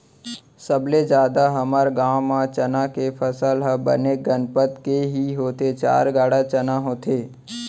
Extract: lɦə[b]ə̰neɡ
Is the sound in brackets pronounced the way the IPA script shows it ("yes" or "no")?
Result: yes